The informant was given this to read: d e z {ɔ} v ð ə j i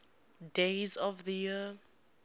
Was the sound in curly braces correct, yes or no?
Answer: yes